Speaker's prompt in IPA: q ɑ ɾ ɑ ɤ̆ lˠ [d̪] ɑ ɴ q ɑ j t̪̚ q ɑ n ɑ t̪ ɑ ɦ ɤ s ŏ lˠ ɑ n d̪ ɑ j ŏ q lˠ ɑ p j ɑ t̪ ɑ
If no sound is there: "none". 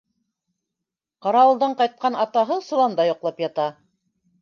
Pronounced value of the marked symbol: d̪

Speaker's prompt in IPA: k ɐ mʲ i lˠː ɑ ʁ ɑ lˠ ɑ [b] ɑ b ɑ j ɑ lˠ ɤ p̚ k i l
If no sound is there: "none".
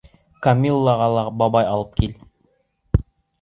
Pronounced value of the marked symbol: b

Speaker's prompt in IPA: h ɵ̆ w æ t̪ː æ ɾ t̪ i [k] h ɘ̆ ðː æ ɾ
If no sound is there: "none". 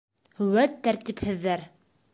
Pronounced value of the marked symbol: p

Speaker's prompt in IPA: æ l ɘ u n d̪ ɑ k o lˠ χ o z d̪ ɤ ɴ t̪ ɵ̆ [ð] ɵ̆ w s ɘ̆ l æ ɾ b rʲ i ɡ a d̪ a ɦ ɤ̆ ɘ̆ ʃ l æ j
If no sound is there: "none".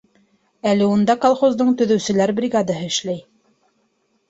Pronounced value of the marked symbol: ð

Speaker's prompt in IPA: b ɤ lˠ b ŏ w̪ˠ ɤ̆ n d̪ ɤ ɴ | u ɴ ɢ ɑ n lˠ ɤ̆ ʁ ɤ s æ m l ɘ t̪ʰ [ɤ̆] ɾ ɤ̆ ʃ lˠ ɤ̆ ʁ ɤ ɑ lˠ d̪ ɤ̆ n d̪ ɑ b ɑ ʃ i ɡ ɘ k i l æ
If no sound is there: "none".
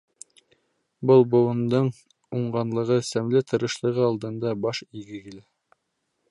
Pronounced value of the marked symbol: ɤ̆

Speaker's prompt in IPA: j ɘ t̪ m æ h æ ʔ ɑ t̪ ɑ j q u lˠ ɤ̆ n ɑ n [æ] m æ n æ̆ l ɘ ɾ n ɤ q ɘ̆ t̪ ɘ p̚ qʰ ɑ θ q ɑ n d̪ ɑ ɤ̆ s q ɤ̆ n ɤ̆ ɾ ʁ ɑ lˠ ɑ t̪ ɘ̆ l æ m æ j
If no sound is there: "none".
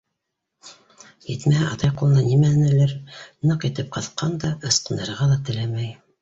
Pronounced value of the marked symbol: i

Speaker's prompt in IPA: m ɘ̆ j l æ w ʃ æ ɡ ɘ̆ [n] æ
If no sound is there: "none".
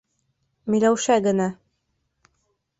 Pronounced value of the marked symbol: n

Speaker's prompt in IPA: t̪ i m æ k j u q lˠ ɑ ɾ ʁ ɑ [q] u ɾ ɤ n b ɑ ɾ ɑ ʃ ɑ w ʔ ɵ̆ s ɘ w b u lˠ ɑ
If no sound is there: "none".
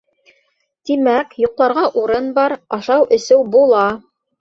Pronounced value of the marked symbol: ʔ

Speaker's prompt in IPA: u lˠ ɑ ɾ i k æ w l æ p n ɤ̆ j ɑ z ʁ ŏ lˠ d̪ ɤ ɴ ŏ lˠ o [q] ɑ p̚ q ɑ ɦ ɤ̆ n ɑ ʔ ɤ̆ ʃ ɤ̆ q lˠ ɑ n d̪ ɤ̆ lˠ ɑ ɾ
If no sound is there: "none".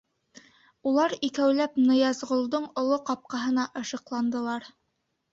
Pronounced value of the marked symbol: q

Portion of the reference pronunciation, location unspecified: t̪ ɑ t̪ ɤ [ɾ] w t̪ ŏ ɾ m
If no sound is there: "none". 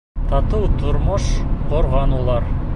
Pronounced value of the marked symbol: none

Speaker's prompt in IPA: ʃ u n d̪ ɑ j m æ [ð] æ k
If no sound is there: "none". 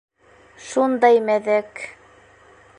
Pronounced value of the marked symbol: ð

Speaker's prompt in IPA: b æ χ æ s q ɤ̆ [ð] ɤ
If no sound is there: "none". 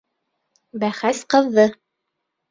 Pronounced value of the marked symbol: ðː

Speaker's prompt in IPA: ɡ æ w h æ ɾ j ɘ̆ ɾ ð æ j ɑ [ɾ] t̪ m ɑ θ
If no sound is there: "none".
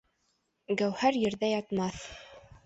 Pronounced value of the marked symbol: none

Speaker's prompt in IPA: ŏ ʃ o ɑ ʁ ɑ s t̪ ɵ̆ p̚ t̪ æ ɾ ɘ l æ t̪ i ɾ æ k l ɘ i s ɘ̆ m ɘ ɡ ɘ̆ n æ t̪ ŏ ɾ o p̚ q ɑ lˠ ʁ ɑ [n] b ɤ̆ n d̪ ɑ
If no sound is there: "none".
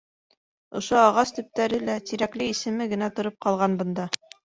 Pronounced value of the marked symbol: n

